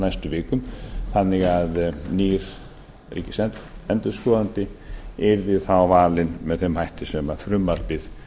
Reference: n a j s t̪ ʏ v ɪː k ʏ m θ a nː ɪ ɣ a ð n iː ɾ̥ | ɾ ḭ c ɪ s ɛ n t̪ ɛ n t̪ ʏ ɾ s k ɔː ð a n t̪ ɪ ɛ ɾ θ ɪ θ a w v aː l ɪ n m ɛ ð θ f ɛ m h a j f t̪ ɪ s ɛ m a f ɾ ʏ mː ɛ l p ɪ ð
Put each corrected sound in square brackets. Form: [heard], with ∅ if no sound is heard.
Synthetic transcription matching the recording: n a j s t̪ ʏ v ɪː k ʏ m θ a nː ɪ ɣ a ð n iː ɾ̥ | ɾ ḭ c ɪ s ɛ n t̪ ɛ n t̪ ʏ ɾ s k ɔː ð a n t̪ ɪ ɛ ɾ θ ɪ θ a w v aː l ɪ n m ɛ ð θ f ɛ m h a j [h] t̪ ɪ s ɛ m a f ɾ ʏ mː [a] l p ɪ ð

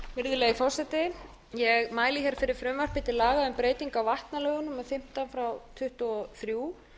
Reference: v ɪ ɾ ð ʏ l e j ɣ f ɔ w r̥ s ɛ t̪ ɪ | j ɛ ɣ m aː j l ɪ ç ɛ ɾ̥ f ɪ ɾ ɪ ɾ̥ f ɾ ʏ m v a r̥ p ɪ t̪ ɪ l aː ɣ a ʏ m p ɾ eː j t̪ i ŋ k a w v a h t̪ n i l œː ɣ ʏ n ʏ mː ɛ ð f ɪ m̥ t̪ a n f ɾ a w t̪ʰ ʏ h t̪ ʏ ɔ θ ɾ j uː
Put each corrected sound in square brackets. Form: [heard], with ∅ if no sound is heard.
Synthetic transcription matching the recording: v ɪ ɾ ð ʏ l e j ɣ f ɔ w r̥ s ɛ t̪ ɪ | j ɛ ɣ m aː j l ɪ ç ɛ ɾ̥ f ɪ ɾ ɪ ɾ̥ f ɾ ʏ m v a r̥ p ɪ t̪ ɪ l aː ɣ a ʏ m p ɾ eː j t̪ i ŋ k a w v a h t̪ n [a] l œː ɣ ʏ n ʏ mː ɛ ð f ɪ m̥ t̪ a n f ɾ a w t̪ʰ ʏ h t̪ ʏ ɔ θ ɾ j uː

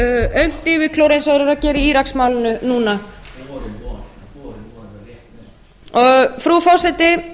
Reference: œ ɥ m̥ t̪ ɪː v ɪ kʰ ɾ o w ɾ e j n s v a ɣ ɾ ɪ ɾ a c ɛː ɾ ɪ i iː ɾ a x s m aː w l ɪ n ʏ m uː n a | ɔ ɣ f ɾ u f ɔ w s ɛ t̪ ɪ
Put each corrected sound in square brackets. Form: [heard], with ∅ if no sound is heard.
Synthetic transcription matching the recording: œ ɥ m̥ t̪ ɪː v ɪ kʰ [l] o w ɾ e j n s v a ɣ ɾ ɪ ɾ a c ɛː ɾ ɪ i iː ɾ a [k] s m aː w l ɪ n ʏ [n] uː n a | ɔ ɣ f ɾ u f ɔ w s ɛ t̪ ɪ

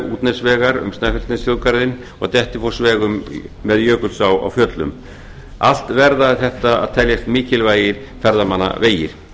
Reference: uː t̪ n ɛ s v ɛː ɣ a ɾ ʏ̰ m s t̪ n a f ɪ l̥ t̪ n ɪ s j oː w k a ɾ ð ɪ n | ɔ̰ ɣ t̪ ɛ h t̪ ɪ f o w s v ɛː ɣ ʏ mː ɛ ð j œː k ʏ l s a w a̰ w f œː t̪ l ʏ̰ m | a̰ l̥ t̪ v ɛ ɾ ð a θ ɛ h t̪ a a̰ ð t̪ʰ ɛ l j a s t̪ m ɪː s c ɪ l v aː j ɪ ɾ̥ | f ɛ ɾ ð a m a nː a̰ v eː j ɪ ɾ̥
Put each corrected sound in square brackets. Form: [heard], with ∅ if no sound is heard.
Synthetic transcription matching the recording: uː t̪ n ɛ s v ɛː ɣ a ɾ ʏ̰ m s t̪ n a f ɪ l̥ t̪ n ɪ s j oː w k a ɾ ð ɪ n | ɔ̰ ɣ t̪ ɛ h t̪ ɪ f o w s v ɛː ɣ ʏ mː ɛ ð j œː k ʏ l s a w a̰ w f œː t̪ l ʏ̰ m | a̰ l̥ t̪ v ɛ ɾ ð a θ ɛ h t̪ a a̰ ð t̪ʰ ɛ l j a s t̪ m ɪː [∅] c ɪ l v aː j ɪ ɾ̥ | f ɛ ɾ ð a m a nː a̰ v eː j ɪ ɾ̥

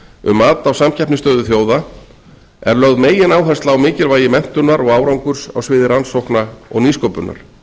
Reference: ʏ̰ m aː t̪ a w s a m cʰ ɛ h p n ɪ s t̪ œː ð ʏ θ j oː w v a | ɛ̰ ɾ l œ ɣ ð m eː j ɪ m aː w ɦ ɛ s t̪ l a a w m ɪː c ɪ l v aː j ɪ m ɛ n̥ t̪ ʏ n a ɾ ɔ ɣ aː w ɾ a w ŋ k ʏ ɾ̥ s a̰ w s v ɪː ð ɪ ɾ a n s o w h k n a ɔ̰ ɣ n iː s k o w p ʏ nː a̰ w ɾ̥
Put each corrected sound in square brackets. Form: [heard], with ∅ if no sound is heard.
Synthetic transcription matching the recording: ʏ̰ m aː t̪ a w s a m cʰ ɛ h p n ɪ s t̪ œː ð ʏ θ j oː w [ð] a | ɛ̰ ɾ l œ ɣ ð m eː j ɪ [n] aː w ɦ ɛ s t̪ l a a w m ɪː c ɪ l v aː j ɪ m ɛ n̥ t̪ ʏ n a ɾ ɔ ɣ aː w ɾ a w ŋ k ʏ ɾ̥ s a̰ w s v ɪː ð ɪ ɾ a n s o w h k n a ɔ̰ ɣ n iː s k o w p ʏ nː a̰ [∅] ɾ̥

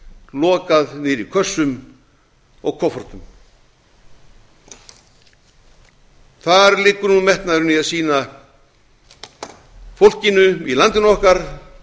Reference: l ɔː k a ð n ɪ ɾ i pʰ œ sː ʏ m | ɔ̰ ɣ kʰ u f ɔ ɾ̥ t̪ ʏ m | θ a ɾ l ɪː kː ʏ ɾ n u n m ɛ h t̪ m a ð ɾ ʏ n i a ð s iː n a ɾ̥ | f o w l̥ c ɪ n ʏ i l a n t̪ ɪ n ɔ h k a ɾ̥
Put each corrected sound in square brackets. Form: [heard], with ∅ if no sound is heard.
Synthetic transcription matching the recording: l ɔː k a ð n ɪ ɾ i [kʰ] œ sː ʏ m | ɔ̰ ɣ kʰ [ɔ] f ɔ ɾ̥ t̪ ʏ m | θ a ɾ l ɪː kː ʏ ɾ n u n m ɛ h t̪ [n] a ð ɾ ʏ n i a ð s iː n a [∅] | f o w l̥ c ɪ n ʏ i l a n t̪ ɪ n ɔ h k a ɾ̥

